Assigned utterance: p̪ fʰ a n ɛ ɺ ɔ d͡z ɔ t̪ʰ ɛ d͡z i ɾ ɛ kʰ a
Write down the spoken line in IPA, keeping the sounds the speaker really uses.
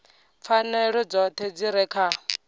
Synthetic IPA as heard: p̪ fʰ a n ɛ ɺ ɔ d͡z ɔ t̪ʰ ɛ d͡z i ɾ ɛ kʰ a